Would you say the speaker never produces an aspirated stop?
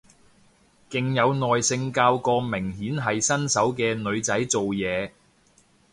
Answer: yes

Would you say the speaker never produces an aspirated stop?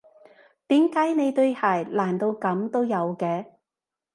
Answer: yes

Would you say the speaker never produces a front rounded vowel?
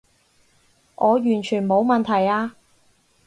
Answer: no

